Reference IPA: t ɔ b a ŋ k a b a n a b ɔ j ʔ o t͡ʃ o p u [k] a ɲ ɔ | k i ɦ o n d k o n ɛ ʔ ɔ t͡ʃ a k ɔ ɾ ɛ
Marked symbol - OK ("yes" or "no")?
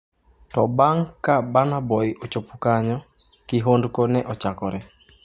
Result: yes